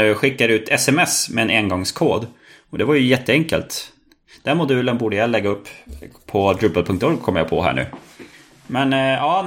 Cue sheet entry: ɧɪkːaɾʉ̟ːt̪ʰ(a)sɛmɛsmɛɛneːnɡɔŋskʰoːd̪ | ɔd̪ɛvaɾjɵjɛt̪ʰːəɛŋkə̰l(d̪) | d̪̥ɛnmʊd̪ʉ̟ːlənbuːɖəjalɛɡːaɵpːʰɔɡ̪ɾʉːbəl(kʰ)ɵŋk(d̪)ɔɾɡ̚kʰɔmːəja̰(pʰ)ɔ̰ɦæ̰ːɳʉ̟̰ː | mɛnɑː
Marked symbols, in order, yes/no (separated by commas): no, no, no, no, yes